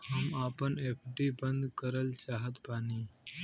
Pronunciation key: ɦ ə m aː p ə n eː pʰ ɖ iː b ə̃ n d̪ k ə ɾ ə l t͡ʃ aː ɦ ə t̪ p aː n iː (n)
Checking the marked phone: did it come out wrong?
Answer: yes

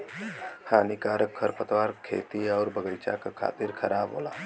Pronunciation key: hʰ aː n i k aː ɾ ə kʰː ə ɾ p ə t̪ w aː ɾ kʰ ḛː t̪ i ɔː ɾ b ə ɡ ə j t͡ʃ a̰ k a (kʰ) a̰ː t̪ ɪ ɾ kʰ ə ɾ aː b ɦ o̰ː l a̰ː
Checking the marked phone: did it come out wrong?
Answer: no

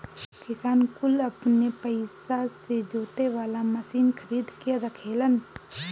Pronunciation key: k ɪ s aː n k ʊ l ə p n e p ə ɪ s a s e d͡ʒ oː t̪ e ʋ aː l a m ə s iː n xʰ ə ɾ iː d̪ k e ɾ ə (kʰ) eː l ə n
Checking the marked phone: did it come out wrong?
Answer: no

